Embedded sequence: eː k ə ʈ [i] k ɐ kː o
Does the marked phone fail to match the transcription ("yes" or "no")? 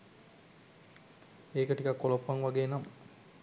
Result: no